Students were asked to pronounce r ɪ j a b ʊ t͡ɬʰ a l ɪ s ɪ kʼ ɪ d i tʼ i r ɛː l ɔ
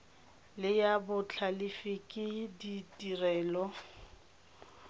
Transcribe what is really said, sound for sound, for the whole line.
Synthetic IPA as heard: l ɪ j a b ʊ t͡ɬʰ a l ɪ f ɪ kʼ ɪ d i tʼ i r ɛː l ɔ